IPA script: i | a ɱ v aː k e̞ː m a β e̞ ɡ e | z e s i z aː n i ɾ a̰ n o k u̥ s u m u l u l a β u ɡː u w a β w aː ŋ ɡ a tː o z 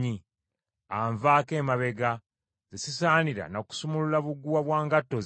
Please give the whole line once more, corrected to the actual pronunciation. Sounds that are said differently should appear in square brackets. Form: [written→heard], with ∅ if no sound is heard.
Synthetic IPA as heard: i | a ɱ v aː k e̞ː m a β e̞ ɡ [e→a] | z e s i [z→s] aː n i ɾ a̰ n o k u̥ s u m u l u l a β u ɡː u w a β w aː ŋ ɡ a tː o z